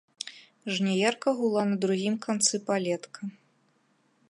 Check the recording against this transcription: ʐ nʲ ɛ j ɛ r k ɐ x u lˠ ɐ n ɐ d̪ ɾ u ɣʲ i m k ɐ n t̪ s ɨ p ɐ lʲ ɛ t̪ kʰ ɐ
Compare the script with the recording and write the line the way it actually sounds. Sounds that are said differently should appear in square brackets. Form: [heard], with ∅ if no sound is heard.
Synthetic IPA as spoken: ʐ nʲ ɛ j ɛ r k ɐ [ɣ] u lˠ [a] n ɐ d̪ ɾ u ɣʲ i m k [a] n t̪ s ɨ p [a] lʲ ɛ t̪ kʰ ɐ